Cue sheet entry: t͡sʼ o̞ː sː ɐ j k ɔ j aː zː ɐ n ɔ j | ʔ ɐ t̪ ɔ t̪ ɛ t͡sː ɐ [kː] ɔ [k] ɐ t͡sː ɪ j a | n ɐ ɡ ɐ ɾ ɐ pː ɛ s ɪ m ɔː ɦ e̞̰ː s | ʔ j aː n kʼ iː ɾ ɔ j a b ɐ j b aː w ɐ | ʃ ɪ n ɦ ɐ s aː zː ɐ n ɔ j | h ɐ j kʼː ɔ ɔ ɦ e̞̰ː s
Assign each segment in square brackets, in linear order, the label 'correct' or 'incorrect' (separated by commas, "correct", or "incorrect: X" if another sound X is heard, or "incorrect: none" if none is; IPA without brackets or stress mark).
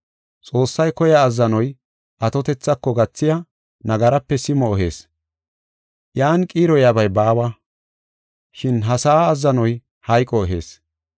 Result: correct, incorrect: ɡ